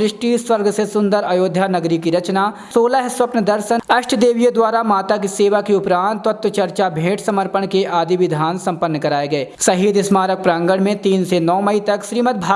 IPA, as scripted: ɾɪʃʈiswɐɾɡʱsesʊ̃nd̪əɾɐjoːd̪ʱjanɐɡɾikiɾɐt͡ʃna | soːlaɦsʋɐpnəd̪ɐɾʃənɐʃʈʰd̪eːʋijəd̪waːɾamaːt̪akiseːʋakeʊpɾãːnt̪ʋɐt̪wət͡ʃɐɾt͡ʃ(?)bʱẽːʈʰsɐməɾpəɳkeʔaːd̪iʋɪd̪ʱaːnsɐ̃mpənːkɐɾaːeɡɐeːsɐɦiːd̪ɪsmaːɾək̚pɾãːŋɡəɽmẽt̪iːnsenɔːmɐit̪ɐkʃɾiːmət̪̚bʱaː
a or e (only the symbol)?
a